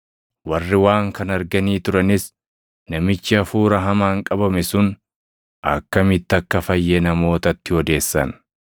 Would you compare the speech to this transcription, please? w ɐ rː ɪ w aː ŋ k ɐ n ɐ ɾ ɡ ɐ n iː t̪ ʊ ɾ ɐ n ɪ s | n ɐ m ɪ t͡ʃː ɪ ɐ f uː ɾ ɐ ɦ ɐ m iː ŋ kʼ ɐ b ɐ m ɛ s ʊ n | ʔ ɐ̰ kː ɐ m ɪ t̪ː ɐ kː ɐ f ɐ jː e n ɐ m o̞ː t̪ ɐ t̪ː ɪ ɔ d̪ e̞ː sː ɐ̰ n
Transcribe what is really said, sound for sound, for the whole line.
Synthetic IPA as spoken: w ɐ rː ɪ w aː ŋ k ɐ n ɐ ɾ ɡ ɐ n iː t̪ ʊ ɾ ɐ n ɪ s | n ɐ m ɪ t͡ʃː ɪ ɐ f uː ɾ ɐ ɦ ɐ m aː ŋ kʼ ɐ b ɐ m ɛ s ʊ n | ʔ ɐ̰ kː ɐ m ɪ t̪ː ɐ kː ɐ f ɐ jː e n ɐ m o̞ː t̪ ɐ t̪ː ɪ ɔ d̪ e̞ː sː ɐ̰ n